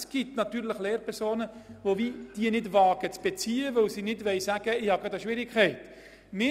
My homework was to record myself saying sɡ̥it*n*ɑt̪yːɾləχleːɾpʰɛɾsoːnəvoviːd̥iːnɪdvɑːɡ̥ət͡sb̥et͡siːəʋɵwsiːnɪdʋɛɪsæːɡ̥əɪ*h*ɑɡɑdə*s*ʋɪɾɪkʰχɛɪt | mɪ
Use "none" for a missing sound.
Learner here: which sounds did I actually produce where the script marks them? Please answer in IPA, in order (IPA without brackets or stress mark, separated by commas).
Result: n, h, ʃ